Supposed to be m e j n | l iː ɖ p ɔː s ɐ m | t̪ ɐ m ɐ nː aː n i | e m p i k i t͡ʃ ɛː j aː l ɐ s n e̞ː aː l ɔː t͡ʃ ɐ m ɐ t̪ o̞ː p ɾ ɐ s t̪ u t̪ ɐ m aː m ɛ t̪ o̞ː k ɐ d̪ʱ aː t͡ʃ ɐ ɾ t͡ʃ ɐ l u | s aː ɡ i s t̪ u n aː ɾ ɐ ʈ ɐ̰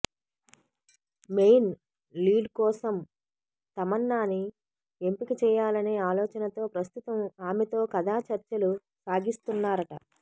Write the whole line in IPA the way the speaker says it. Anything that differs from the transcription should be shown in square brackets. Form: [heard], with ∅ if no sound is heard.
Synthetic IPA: m e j n | l iː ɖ [k] ɔː s ɐ m | t̪ ɐ m ɐ nː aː n i | e m p i k i t͡ʃ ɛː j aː l ɐ [∅] n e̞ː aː l ɔː t͡ʃ ɐ [n] ɐ t̪ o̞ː p ɾ ɐ s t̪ u t̪ ɐ m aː m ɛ t̪ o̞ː k ɐ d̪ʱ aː t͡ʃ ɐ ɾ t͡ʃ ɐ l u | s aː ɡ i s t̪ u [nː] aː ɾ ɐ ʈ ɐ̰